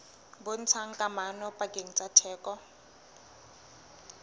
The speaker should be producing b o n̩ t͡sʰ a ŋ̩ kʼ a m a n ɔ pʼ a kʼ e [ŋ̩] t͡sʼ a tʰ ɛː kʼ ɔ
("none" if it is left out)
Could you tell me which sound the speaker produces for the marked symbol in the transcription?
ŋ̩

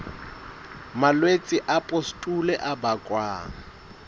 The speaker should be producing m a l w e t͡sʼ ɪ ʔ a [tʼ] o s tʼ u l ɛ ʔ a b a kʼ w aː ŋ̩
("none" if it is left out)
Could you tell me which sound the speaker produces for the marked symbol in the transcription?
pʼ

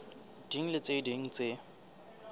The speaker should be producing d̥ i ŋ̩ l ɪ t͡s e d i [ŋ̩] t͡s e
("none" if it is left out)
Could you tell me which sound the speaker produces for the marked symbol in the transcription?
ŋ̩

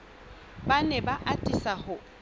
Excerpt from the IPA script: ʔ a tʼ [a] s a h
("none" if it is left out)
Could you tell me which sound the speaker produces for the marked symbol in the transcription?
i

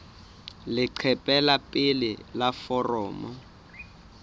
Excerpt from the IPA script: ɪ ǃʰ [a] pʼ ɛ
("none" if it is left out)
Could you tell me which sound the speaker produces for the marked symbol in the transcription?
ɛ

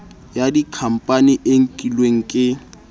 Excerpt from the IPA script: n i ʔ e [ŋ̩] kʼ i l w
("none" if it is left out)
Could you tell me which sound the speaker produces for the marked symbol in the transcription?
ŋ̩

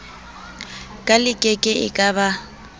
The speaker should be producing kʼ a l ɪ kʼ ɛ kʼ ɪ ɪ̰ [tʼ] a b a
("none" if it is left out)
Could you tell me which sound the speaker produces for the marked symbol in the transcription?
kʼ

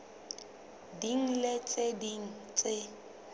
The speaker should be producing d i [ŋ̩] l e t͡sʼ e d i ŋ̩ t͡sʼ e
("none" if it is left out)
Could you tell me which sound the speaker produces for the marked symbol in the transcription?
ŋ̩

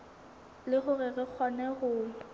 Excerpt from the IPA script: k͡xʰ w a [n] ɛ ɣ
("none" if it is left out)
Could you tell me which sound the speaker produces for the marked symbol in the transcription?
n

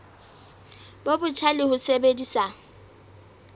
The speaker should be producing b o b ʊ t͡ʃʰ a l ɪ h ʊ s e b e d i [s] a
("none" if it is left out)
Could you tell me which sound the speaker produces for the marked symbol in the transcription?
s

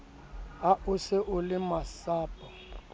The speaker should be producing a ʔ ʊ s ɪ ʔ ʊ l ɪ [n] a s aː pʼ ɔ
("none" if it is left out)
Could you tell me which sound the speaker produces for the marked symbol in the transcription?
m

